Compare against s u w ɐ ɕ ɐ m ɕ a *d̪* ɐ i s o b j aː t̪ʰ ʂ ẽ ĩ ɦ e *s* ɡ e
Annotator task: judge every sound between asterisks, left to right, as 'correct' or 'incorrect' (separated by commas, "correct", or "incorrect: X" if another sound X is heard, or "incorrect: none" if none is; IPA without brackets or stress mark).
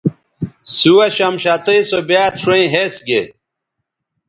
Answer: incorrect: t̪, correct